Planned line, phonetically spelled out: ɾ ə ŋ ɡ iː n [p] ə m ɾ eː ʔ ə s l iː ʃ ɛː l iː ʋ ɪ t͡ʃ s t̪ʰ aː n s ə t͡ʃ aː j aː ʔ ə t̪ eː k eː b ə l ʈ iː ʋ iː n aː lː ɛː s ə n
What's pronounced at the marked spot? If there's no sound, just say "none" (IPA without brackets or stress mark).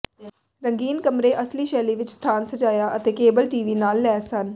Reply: k